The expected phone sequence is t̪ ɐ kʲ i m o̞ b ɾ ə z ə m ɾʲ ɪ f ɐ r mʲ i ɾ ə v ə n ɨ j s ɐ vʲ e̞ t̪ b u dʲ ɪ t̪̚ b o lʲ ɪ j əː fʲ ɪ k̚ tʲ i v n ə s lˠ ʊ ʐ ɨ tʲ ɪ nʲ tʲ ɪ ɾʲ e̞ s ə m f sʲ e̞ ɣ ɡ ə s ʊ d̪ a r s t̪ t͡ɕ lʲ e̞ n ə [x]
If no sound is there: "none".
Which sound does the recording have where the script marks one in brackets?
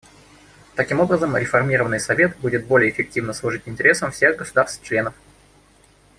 f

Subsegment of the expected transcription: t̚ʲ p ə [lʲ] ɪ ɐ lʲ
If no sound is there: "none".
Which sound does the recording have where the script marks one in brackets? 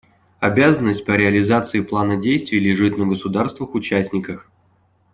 ɾʲ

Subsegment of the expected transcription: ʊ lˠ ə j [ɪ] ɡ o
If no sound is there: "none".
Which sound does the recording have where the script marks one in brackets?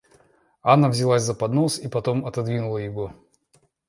ɪ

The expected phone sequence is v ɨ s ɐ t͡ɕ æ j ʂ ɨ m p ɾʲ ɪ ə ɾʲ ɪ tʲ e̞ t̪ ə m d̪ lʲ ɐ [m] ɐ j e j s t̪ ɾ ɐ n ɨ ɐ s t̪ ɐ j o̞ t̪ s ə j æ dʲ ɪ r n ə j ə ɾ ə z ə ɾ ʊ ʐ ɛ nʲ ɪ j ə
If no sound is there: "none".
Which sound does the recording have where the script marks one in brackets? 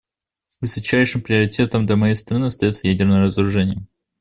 m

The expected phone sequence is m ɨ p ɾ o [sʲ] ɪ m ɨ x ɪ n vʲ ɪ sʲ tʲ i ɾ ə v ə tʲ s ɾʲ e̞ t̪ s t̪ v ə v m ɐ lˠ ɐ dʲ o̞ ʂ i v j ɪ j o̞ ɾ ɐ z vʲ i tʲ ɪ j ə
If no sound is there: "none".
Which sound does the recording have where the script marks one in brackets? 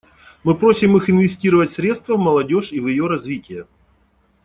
sʲ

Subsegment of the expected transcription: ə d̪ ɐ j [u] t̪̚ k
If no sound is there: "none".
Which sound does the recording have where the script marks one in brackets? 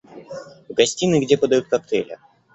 u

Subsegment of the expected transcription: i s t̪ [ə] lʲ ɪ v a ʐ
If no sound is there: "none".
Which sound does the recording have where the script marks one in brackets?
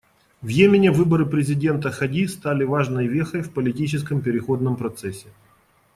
a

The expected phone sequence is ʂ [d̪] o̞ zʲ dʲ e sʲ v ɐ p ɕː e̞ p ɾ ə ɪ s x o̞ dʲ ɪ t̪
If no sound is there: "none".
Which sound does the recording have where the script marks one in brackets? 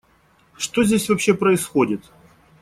t̪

